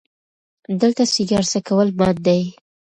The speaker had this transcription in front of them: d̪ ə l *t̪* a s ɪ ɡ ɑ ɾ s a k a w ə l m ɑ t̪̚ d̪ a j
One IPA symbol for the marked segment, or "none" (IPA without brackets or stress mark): t̪